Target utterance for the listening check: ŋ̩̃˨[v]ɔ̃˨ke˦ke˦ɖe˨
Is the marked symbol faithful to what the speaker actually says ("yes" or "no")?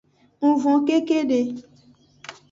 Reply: yes